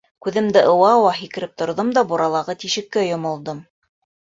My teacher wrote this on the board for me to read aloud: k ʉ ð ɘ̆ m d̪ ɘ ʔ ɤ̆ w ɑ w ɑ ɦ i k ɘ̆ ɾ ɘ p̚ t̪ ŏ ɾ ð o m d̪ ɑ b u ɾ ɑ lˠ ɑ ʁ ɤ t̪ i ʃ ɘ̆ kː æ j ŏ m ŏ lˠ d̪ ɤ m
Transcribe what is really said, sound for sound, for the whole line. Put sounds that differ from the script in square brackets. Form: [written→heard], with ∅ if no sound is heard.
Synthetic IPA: k ʉ ð ɘ̆ m d̪ ɘ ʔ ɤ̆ w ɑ w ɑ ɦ i k ɘ̆ ɾ ɘ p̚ t̪ ŏ ɾ ð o m d̪ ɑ b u ɾ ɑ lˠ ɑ ʁ ɤ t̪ i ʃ ɘ̆ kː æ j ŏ m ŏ lˠ d̪ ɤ m